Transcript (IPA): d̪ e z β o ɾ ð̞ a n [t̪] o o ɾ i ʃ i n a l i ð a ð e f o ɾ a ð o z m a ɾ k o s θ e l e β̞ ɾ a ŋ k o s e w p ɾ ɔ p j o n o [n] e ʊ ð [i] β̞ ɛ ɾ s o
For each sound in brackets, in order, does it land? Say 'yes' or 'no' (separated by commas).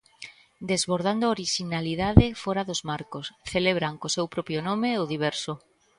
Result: no, no, yes